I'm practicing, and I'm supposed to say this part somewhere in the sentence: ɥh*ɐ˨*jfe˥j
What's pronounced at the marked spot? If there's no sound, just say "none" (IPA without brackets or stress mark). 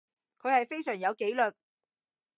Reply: ɐ˨